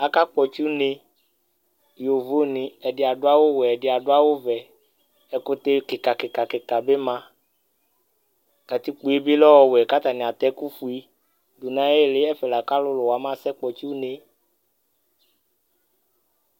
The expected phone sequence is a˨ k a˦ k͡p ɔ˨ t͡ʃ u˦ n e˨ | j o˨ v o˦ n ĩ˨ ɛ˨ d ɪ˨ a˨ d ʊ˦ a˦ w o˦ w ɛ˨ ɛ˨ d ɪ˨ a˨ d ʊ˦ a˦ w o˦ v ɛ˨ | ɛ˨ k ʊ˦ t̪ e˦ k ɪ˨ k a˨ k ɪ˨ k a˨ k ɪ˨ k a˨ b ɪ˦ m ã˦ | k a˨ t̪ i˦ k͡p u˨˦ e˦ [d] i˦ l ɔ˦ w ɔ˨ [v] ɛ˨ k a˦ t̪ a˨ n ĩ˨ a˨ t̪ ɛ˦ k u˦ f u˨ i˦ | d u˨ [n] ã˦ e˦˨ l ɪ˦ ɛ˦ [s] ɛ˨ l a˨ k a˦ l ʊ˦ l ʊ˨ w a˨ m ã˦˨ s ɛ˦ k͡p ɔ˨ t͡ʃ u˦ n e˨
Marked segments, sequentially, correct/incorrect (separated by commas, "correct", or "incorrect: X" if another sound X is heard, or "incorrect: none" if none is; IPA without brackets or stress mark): incorrect: b, incorrect: w, correct, incorrect: f